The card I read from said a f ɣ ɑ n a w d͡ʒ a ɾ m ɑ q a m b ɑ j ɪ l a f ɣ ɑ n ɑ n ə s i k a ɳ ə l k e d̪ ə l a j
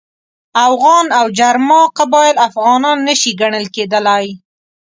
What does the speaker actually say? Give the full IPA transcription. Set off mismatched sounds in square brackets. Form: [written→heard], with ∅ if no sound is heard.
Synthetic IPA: a f ɣ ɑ n a w d͡ʒ a ɾ m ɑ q a [m→∅] b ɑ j ɪ l a f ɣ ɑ n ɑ [n→nː] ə [s→ʃ] i [k→ɡ] a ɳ ə l k e d̪ ə l a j